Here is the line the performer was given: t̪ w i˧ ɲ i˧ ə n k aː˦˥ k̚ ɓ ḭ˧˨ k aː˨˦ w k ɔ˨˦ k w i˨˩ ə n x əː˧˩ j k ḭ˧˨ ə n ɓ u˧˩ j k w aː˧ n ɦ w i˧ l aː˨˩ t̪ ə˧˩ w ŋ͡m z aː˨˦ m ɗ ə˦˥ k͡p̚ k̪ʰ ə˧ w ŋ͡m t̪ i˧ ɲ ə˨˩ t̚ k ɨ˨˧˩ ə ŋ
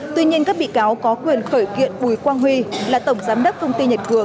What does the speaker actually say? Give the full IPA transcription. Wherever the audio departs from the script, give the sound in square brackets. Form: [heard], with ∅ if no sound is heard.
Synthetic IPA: t̪ w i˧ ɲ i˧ ə n k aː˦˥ k̚ ɓ ḭ˧˨ k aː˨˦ w k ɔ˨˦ k w i˨˩ ə n x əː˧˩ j k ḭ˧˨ ə n ɓ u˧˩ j k w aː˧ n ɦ w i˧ l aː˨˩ t̪ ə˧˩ w ŋ͡m z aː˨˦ m ɗ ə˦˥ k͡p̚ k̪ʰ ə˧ w ŋ͡m t̪ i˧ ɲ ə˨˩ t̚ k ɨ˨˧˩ ə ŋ